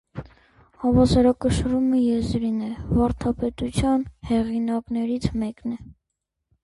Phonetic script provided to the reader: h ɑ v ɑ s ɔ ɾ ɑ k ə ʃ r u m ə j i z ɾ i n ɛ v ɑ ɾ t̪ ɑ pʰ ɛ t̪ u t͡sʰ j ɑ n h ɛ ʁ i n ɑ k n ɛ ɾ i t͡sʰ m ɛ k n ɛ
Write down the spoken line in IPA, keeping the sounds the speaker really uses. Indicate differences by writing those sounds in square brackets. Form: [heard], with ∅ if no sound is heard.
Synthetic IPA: h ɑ v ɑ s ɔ ɾ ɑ k ə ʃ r u m ə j [ɛ] z ɾ i n ɛ v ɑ ɾ [t̪ʰ] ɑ [p] ɛ t̪ u t͡sʰ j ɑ n h ɛ ʁ i n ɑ k n ɛ ɾ i t͡sʰ m ɛ k n ɛ

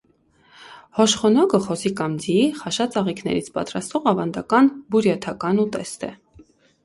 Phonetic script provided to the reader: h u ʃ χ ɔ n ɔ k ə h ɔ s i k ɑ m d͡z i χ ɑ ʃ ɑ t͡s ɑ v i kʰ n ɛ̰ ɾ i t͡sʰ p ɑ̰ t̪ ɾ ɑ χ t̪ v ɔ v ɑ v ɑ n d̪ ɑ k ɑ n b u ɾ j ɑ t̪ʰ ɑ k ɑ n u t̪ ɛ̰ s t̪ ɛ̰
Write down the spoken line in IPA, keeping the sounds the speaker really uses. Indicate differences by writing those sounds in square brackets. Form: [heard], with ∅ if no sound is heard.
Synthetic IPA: h [ɔ] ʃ χ ɔ n ɔ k ə [χ] ɔ s i k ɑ m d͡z i χ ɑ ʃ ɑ t͡s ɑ [ʁ] i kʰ n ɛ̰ ɾ i t͡sʰ p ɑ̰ t̪ ɾ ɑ [s] t̪ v ɔ [ʁ] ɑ v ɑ n d̪ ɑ k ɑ n b u ɾ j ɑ t̪ʰ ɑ k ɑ n u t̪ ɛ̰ s t̪ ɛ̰

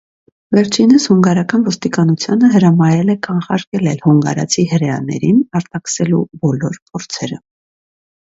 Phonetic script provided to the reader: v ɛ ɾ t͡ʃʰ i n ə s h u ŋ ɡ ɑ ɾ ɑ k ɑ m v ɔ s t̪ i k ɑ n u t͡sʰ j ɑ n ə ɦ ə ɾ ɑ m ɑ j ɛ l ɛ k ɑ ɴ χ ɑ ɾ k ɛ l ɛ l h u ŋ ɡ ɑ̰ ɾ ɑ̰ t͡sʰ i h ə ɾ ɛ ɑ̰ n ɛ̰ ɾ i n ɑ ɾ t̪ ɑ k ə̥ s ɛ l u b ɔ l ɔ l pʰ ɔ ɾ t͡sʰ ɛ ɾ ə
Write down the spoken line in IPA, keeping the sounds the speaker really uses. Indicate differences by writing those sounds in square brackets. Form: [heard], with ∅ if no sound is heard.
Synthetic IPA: v ɛ ɾ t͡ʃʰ i n ə s h u ŋ ɡ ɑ ɾ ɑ k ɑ [n] v ɔ s t̪ i k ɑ n u t͡sʰ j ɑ n ə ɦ ə ɾ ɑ m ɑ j ɛ l ɛ k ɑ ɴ χ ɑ ɾ k ɛ l ɛ l h u ŋ ɡ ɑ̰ ɾ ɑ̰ t͡sʰ i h ə ɾ ɛ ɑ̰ n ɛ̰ ɾ i n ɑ ɾ t̪ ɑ k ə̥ s ɛ l u b ɔ l ɔ [ɾ] pʰ ɔ ɾ t͡sʰ ɛ ɾ ə

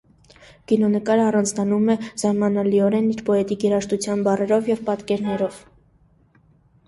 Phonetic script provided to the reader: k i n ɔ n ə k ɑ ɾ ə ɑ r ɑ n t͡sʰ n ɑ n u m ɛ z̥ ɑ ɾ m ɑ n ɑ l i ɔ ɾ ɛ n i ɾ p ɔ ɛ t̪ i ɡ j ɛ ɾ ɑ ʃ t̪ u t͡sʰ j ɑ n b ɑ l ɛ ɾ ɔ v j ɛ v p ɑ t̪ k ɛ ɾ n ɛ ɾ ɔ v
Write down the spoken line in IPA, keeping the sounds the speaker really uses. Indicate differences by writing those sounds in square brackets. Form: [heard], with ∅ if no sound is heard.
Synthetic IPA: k i n ɔ n ə k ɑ ɾ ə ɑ r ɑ n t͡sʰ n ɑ n u m ɛ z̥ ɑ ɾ m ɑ n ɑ l i ɔ ɾ ɛ n i ɾ p ɔ ɛ t̪ i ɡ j ɛ ɾ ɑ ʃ t̪ u t͡sʰ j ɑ n b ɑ [r] ɛ ɾ ɔ v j ɛ v p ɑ t̪ k ɛ ɾ n ɛ ɾ ɔ v

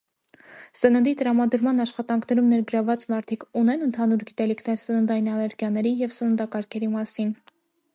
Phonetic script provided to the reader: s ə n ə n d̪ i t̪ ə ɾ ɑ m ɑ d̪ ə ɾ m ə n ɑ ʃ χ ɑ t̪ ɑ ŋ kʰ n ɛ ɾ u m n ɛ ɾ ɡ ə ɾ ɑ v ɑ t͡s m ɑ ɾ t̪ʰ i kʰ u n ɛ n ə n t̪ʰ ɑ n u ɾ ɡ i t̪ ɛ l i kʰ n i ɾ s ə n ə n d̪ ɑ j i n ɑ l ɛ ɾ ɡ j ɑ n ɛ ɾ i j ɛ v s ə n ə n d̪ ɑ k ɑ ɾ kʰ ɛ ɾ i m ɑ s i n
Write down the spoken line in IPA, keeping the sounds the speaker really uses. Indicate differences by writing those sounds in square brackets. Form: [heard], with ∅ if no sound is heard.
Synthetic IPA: s ə n ə n d̪ i t̪ ə ɾ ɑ m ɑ d̪ ə ɾ m [ɑ] n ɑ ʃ χ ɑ t̪ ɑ ŋ kʰ n ɛ ɾ u m n ɛ ɾ ɡ ə ɾ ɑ v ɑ t͡s m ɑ ɾ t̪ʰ i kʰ u n ɛ n ə n t̪ʰ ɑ n u ɾ ɡ i t̪ ɛ l i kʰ n [ɛ] ɾ s ə n ə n d̪ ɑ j i n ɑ l ɛ ɾ ɡ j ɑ n ɛ ɾ i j ɛ v s ə n ə n d̪ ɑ k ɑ ɾ kʰ ɛ ɾ i m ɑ s i n

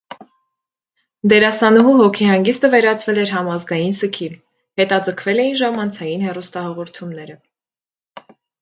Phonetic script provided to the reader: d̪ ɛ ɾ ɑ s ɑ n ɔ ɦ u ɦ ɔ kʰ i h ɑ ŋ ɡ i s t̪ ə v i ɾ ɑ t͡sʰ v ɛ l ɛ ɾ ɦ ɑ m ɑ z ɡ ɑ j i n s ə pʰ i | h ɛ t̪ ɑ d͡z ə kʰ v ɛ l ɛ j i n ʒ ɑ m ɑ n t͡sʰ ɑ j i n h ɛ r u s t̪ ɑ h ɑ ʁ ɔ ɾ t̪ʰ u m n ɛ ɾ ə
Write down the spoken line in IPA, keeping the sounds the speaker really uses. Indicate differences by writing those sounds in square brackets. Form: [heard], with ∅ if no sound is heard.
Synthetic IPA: d̪ ɛ ɾ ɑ s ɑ n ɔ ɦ u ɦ ɔ kʰ i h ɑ ŋ ɡ i s t̪ ə v [ɛ] ɾ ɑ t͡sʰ v ɛ l ɛ ɾ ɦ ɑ m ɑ z ɡ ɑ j i n s ə [kʰ] i | h ɛ t̪ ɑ d͡z ə kʰ v ɛ l ɛ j i n ʒ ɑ m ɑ n t͡sʰ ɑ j i n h ɛ r u s t̪ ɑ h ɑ ʁ ɔ ɾ t̪ʰ u m n ɛ ɾ ə

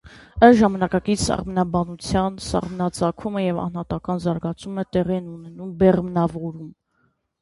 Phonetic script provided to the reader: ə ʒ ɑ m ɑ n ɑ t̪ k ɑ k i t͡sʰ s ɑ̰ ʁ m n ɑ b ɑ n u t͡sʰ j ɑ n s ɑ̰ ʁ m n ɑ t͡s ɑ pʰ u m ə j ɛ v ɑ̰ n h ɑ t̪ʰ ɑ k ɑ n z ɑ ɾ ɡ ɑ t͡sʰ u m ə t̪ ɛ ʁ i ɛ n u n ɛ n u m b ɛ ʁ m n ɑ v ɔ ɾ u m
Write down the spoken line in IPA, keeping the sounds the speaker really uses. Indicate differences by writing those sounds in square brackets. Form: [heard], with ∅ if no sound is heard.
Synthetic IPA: ə ʒ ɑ m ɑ n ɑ [∅] k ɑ k i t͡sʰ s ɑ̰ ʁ m n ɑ b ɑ n u t͡sʰ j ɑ n s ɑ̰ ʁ m n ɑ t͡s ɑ [kʰ] u m ə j ɛ v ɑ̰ n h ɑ [t̪] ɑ k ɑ n z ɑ ɾ ɡ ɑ t͡sʰ u m ə t̪ ɛ ʁ i ɛ n u n ɛ n u m b ɛ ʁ m n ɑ v ɔ ɾ u m

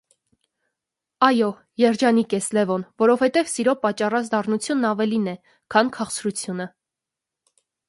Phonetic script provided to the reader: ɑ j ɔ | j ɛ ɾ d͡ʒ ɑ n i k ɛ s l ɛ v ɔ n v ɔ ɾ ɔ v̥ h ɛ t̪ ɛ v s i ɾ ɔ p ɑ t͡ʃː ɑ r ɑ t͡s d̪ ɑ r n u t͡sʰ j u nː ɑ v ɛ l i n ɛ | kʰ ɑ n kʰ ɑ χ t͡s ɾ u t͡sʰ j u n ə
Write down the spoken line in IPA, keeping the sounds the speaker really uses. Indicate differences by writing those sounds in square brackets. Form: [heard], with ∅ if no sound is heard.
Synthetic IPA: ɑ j ɔ | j ɛ ɾ d͡ʒ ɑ n i k ɛ s l ɛ v ɔ n v ɔ ɾ ɔ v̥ h ɛ t̪ ɛ v s i ɾ ɔ p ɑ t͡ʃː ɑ r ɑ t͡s d̪ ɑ r n u t͡sʰ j u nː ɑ v ɛ l i n ɛ | kʰ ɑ n kʰ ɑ χ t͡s ɾ u t͡sʰ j u n ə

